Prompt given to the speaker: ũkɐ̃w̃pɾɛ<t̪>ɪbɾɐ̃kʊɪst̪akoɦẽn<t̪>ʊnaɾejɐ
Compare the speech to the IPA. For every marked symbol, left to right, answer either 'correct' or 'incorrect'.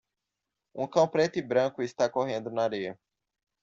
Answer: correct, incorrect: d̪

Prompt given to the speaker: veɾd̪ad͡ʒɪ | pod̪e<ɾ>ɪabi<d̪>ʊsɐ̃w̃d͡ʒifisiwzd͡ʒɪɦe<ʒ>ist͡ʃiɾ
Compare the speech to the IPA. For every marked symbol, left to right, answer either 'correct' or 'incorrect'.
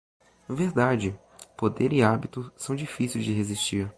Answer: correct, incorrect: t̪, incorrect: z

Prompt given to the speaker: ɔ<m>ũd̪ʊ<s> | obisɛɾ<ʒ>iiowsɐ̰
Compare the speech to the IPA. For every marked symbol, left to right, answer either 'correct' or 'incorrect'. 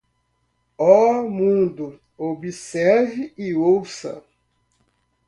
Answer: correct, incorrect: none, incorrect: v

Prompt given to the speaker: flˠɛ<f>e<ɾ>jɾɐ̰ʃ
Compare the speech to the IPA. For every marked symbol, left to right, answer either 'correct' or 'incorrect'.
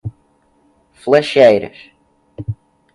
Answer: incorrect: ʃ, incorrect: none

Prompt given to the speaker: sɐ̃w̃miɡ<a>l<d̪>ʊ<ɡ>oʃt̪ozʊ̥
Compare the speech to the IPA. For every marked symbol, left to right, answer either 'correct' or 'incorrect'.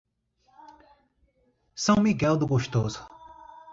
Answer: incorrect: ɛ, correct, correct

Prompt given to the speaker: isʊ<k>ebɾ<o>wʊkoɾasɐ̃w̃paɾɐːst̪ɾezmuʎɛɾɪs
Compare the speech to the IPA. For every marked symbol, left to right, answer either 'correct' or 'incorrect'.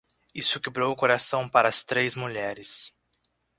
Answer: correct, correct

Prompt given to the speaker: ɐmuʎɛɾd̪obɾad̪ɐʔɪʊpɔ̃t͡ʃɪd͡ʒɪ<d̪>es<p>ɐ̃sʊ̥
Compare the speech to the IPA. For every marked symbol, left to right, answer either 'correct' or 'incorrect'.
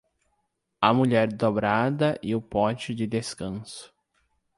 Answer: correct, incorrect: k

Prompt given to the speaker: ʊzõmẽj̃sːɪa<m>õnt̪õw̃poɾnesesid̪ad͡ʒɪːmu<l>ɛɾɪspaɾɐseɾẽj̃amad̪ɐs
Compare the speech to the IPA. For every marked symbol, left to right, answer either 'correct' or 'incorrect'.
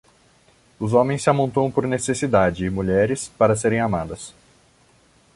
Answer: correct, incorrect: ʎ

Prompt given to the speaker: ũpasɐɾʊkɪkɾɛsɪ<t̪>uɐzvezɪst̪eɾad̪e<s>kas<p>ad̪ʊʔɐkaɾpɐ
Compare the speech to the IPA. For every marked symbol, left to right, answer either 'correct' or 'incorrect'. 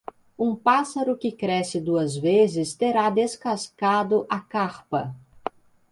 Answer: incorrect: d̪, correct, incorrect: k

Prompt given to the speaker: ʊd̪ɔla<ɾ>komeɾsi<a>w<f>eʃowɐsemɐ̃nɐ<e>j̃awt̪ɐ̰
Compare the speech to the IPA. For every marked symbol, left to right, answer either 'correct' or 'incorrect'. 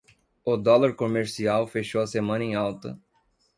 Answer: correct, correct, correct, incorrect: ẽ

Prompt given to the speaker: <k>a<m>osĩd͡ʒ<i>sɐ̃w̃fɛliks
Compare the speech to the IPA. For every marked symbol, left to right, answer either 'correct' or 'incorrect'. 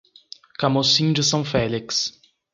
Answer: correct, correct, incorrect: ɪ

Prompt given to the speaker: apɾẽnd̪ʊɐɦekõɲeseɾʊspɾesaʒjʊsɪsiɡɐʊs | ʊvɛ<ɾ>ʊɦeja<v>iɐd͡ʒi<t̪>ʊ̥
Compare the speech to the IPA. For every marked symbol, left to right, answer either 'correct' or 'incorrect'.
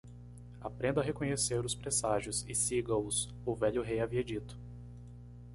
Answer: incorrect: ʎ, correct, correct

